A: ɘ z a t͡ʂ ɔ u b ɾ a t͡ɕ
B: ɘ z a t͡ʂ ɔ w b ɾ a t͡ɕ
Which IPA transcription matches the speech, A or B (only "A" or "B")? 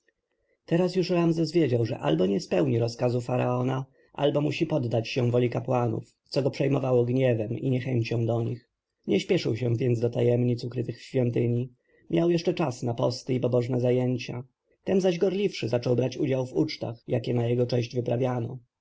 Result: B